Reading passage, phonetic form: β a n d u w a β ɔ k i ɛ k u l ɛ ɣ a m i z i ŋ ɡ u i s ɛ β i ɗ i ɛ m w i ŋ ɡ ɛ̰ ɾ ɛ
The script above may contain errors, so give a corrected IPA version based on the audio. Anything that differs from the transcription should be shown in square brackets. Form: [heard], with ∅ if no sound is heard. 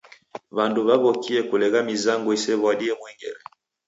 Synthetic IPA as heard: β a n d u [β] a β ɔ k i ɛ k u l ɛ ɣ a m i z [a] ŋ ɡ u i s ɛ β [a] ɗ i ɛ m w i ŋ ɡ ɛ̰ ɾ ɛ